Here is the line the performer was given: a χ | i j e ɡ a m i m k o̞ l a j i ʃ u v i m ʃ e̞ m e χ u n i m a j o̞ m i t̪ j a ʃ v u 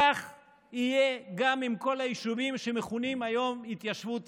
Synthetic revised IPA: a χ | i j e ɡ a m i m k o̞ l a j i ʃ u v i m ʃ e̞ m e χ u n i m a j o̞ m i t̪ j a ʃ v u

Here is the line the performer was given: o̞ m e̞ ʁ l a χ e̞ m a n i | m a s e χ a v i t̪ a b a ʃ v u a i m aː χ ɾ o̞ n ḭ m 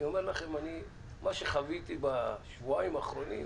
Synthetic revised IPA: o̞ m e̞ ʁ l a χ e̞ m a n i | m a ʃ e χ a v i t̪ i b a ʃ v u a i m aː χ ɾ o̞ n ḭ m

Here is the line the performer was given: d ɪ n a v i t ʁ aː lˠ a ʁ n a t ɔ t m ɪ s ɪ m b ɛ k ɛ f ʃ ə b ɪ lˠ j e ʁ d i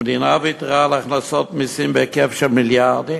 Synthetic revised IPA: d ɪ n a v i t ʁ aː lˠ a χ n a s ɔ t m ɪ s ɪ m b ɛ k ɛ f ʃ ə m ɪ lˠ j a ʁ d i

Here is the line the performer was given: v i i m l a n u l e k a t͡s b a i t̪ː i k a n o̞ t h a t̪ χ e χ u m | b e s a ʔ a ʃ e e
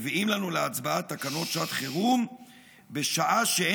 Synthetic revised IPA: v i i m l a n u l e a t͡s b a a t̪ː a k a n o̞ t ʃ a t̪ χ e ʁ u m | b e ʃ a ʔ a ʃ e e

